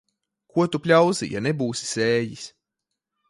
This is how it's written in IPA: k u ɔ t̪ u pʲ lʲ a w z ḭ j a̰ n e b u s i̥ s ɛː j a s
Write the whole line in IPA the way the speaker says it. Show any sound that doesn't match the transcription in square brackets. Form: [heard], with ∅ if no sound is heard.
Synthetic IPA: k u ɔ t̪ u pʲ lʲ a w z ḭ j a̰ n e b [uː] s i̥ s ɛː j [i] s